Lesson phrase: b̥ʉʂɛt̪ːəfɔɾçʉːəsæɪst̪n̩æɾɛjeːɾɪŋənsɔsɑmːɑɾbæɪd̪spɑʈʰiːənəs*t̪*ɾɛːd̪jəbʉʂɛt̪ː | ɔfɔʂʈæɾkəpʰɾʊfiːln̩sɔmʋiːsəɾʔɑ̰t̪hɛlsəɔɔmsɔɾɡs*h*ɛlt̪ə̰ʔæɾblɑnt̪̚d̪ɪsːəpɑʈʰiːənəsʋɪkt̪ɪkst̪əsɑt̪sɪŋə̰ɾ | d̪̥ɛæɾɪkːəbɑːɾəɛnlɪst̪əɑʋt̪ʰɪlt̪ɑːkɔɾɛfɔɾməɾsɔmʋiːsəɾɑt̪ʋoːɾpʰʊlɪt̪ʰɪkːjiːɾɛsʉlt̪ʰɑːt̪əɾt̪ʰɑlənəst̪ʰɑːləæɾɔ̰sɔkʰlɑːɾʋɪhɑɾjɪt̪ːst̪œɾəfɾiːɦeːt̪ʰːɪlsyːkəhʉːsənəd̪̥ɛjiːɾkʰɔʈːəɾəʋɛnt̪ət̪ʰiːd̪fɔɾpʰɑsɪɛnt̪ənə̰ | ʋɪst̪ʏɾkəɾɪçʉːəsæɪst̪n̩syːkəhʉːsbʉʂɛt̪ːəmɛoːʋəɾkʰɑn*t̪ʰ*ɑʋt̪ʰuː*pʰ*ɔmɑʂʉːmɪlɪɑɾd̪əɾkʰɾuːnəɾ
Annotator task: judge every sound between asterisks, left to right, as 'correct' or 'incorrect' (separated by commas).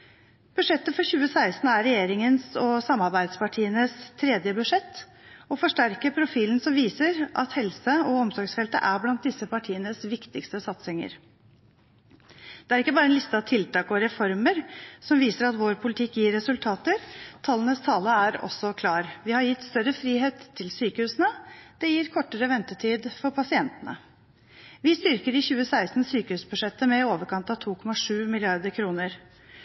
incorrect, incorrect, incorrect, incorrect